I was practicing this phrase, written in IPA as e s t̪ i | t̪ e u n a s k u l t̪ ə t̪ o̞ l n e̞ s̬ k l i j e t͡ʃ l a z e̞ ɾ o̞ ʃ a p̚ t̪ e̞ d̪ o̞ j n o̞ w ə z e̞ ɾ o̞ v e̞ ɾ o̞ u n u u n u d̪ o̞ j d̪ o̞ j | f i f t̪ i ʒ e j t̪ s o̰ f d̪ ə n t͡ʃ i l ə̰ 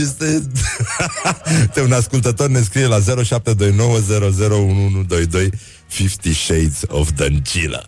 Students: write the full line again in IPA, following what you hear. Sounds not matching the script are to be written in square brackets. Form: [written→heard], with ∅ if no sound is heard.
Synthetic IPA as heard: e s t̪ [i→e] | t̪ e u n a s k u l t̪ ə t̪ o̞ [l→r] n e̞ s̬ k [l→ɾ] i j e [t͡ʃ→∅] l a z e̞ ɾ o̞ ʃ a p̚ t̪ e̞ d̪ o̞ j n o̞ w ə z e̞ ɾ o̞ [v→z] e̞ ɾ o̞ u n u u n u d̪ o̞ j d̪ o̞ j | f i f t̪ i [ʒ→ʃ] e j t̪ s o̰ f d̪ ə n t͡ʃ i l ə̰